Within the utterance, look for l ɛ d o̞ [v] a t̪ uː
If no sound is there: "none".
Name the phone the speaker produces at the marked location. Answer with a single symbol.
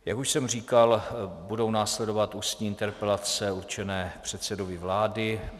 v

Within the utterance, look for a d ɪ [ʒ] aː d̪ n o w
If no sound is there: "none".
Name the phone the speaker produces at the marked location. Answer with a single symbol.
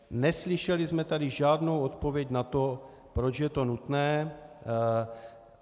ʒ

